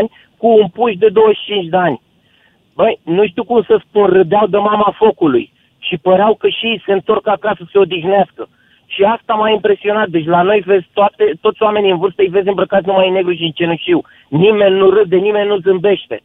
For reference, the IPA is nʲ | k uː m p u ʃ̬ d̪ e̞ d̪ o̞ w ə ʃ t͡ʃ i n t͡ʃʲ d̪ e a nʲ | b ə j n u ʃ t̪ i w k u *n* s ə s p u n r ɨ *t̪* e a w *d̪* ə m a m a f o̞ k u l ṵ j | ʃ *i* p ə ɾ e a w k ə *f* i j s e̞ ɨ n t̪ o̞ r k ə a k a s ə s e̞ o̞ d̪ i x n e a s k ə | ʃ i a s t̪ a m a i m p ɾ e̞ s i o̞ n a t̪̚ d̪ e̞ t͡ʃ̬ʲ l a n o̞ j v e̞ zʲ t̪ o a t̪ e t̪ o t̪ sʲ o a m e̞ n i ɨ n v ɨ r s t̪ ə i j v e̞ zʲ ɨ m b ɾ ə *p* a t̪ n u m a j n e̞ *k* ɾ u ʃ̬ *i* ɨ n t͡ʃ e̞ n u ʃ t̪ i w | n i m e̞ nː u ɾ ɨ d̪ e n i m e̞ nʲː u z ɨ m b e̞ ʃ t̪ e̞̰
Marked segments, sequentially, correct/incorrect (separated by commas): incorrect, incorrect, correct, correct, incorrect, incorrect, incorrect, correct